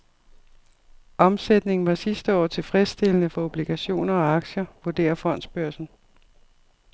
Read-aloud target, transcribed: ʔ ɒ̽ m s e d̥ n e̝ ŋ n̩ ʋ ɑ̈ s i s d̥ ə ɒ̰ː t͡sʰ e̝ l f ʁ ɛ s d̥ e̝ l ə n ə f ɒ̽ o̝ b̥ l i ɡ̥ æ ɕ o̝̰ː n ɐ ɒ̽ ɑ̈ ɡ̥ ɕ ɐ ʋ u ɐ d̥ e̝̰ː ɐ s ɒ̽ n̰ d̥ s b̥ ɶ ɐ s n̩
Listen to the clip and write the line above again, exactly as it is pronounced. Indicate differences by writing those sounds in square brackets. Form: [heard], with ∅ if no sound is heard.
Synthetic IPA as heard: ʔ ɒ̽ m s e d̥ n e̝ ŋ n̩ ʋ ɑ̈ s i s d̥ ə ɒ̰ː t͡sʰ e̝ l f ʁ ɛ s d̥ e̝ l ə n ə f ɒ̽ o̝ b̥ l i ɡ̥ æ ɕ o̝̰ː n ɐ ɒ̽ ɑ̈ ɡ̥ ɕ ɐ ʋ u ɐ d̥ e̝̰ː ɐ [f] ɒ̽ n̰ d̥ s b̥ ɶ ɐ s n̩

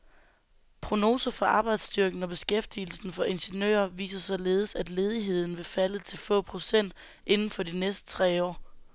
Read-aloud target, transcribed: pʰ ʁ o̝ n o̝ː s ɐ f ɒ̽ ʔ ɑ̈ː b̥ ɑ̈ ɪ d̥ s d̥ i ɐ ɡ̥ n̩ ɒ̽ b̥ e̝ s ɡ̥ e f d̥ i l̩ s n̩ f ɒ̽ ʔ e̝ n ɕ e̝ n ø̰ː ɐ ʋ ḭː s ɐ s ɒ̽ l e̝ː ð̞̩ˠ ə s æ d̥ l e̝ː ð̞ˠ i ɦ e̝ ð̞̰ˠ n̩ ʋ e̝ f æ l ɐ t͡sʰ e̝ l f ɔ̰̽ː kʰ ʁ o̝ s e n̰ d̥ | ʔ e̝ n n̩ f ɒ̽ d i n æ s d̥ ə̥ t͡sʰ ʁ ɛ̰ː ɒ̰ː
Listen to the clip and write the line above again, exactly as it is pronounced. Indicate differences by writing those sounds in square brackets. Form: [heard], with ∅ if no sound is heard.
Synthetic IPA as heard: pʰ ʁ o̝ n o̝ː s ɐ f ɒ̽ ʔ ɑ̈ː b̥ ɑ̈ ɪ d̥ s d̥ [y] ɐ ɡ̥ n̩ ɒ̽ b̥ e̝ s ɡ̥ e f d̥ i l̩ s n̩ f ɒ̽ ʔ e̝ n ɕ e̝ n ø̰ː ɐ ʋ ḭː s ɐ s ɒ̽ l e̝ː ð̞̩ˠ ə s æ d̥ l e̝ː ð̞ˠ i ɦ e̝ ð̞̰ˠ n̩ ʋ e̝ f æ l [ə] t͡sʰ e̝ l f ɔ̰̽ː [pʰ] ʁ o̝ s e n̰ d̥ | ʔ e̝ n n̩ f ɒ̽ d i n [e] s d̥ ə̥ t͡sʰ ʁ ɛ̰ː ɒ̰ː

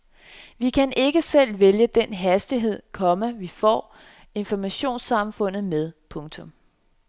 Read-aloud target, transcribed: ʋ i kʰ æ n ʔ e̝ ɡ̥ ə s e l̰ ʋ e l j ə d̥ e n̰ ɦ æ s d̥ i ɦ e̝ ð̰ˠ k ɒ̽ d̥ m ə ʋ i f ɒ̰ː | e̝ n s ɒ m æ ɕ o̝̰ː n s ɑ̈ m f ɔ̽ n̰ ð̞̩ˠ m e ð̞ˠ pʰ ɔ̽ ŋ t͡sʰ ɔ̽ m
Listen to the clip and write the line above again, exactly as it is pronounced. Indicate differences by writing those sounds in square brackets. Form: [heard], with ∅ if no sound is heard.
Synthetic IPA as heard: ʋ i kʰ æ n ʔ e̝ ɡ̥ ə s e l̰ ʋ e l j ə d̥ e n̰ ɦ æ s d̥ i ɦ e̝ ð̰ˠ [kʰ] ɒ̽ [∅] m ə ʋ i f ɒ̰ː | e̝ n [f] ɒ m æ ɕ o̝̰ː n s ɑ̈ m f ɔ̽ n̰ ð̞̩ˠ m e ð̞ˠ pʰ ɔ̽ ŋ t͡sʰ ɔ̽ m

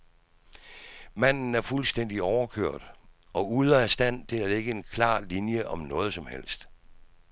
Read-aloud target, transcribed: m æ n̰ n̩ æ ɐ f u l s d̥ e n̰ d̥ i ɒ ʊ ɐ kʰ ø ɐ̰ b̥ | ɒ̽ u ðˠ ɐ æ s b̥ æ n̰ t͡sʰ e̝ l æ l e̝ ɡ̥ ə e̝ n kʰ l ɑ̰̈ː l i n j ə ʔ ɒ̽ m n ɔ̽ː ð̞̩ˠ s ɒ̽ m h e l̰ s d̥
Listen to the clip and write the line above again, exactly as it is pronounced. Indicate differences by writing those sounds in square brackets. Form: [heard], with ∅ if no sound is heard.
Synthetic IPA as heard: m æ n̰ n̩ æ ɐ f u l s d̥ e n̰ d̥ i ɒ ʊ ɐ kʰ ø ɐ̰ [d̥] | ɒ̽ u ðˠ ɐ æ s [d̥] æ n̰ t͡sʰ e̝ l æ l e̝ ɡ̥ ə e̝ n kʰ l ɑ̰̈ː l i n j ə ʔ ɒ̽ m n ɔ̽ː ð̞̩ˠ s ɒ̽ m h e l̰ s d̥

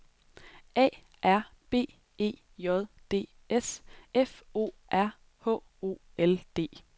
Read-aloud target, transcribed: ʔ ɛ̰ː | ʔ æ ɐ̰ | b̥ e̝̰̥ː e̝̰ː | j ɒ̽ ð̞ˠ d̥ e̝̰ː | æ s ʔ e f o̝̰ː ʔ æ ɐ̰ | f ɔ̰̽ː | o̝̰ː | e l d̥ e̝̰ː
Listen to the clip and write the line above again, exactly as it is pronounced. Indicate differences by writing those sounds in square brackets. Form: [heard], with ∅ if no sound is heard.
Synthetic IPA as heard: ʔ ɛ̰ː | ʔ æ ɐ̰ | b̥ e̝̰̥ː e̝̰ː | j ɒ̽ ð̞ˠ d̥ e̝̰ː | [e] s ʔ e f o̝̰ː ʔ æ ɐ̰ | [h] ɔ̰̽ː | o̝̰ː | e l d̥ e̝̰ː

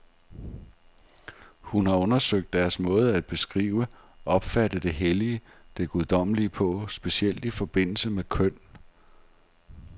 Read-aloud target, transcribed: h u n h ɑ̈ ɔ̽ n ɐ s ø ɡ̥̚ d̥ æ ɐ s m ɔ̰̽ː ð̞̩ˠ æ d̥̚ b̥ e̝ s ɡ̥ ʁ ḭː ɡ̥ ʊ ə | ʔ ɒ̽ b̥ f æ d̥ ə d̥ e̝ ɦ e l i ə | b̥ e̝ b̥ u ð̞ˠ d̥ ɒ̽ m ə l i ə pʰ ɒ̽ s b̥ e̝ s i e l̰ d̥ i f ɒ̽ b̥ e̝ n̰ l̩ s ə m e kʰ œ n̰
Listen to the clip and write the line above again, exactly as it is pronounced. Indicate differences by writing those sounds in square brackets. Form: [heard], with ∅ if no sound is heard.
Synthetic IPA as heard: h u n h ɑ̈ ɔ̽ n ɐ s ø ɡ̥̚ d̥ æ ɐ s m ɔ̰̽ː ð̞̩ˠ æ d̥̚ b̥ e̝ s ɡ̥ ʁ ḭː [∅] ʊ ə | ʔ ɒ̽ b̥ f æ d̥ ə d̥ e̝ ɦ e l i ə | [d̥] e̝ [ɡ̥] u ð̞ˠ d̥ ɒ̽ m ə l i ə pʰ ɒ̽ s b̥ e̝ s i e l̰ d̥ i f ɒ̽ b̥ e̝ n̰ l̩ s ə m e kʰ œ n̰

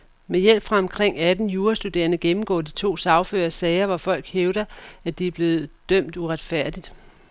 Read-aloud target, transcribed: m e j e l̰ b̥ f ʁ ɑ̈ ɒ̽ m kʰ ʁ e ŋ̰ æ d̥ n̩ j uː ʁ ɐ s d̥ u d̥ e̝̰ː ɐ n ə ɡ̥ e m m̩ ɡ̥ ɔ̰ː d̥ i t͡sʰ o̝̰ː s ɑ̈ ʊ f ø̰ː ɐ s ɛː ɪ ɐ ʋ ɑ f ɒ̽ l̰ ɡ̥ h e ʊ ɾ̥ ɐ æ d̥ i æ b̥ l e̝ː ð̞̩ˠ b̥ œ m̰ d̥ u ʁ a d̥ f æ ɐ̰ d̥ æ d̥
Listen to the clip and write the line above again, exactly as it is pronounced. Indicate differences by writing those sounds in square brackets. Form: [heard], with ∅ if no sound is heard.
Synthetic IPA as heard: m e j e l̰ b̥ f ʁ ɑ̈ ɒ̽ m kʰ ʁ e ŋ̰ æ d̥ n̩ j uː [∅] ɐ s d̥ u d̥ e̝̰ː ɐ n ə ɡ̥ e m m̩ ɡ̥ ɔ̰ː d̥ i t͡sʰ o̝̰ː s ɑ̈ ʊ f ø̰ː ɐ s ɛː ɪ ɐ ʋ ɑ f ɒ̽ l̰ ɡ̥ h e ʊ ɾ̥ ɐ æ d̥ i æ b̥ l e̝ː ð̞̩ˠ [d̥] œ m̰ d̥ u ʁ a d̥ f æ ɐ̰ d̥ [i] d̥

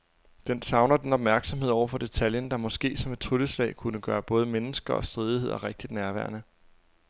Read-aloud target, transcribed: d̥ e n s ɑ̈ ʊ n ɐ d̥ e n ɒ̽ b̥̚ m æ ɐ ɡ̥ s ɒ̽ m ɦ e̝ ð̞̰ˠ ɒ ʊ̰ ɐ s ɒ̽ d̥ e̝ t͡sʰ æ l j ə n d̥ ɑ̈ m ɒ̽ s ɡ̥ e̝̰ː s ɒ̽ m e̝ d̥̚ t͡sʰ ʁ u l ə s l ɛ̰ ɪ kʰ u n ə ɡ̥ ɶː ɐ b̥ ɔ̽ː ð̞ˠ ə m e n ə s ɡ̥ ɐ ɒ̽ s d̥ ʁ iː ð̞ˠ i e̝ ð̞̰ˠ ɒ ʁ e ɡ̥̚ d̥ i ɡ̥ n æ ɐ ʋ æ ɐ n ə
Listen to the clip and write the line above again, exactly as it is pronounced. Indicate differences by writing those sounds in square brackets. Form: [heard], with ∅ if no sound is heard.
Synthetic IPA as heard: d̥ e n s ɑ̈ ʊ n ɐ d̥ e n ɒ̽ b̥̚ m æ ɐ ɡ̥ s ɒ̽ m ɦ e̝ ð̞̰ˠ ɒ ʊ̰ ɐ [f] ɒ̽ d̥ e̝ t͡sʰ æ l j ə n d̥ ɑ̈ m ɒ̽ s ɡ̥ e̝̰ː s ɒ̽ m e̝ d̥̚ t͡sʰ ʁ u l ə s l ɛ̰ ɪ kʰ u n ə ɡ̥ ɶː ɐ b̥ ɔ̽ː ð̞ˠ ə m e n ə s ɡ̥ ɐ ɒ̽ s d̥ ʁ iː ð̞ˠ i e̝ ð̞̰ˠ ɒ ʁ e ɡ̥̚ d̥ i [d̥] n æ ɐ ʋ æ ɐ n ə

